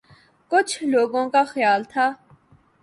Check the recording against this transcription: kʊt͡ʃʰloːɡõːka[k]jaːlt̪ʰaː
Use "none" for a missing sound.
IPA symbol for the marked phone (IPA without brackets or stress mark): x